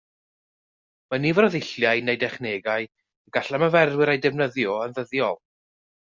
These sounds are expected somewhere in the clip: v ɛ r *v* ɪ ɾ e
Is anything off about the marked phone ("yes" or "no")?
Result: yes